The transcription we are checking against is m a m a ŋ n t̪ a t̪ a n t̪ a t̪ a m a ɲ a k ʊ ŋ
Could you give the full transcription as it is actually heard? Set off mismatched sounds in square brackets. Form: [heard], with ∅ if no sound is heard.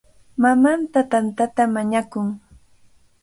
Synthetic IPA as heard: m a m a [∅] n t̪ a t̪ a n t̪ a t̪ a m a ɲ a k ʊ ŋ